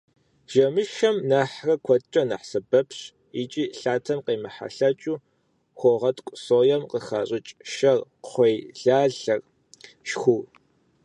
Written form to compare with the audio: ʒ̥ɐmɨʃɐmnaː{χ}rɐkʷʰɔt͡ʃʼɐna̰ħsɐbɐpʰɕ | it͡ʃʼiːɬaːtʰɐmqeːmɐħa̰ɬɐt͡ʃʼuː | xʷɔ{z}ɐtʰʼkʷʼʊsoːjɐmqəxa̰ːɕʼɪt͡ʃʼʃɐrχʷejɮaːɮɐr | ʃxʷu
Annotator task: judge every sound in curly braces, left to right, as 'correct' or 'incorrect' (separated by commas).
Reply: incorrect, incorrect